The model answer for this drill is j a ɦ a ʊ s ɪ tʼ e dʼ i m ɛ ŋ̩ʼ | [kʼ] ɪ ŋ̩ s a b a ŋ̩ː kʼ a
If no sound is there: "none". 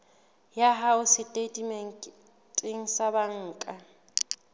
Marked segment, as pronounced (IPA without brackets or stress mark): tʼ